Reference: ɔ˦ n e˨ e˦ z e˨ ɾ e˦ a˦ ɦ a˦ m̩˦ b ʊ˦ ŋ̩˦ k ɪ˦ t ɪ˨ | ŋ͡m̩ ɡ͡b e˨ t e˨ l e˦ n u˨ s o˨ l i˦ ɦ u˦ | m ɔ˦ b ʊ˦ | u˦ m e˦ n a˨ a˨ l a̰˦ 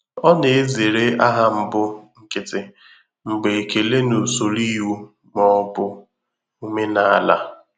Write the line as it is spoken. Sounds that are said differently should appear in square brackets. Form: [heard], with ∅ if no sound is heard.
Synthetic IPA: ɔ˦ n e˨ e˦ z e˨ ɾ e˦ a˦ ɦ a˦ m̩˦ b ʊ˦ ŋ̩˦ k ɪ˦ t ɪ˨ | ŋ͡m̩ ɡ͡b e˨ [k] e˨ l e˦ n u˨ s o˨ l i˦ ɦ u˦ | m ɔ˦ b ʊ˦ | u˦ m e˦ n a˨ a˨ l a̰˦